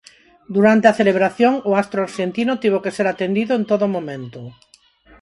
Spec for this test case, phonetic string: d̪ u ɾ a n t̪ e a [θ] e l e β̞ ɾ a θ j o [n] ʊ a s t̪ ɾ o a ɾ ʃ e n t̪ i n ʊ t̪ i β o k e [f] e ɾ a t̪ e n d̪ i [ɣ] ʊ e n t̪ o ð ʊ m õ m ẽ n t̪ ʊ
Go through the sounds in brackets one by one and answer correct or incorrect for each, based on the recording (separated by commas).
correct, incorrect, incorrect, incorrect